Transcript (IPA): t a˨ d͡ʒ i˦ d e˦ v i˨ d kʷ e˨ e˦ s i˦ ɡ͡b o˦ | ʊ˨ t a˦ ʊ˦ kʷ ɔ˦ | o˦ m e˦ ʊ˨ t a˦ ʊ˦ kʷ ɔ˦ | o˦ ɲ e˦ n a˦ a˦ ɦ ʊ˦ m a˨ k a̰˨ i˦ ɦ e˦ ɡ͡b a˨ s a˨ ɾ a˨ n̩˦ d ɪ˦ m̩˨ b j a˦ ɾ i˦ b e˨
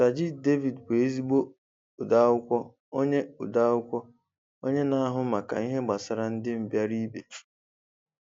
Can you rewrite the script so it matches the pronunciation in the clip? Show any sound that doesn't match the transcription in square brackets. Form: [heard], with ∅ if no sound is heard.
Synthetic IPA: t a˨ d͡ʒ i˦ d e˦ v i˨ d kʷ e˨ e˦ [z] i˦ ɡ͡b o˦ | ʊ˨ [d] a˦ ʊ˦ kʷ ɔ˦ | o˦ [ɲ] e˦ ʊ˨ [d] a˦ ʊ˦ kʷ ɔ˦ | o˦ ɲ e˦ n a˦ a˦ ɦ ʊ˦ m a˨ k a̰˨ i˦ ɦ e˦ ɡ͡b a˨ s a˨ ɾ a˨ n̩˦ d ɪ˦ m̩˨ b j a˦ ɾ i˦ b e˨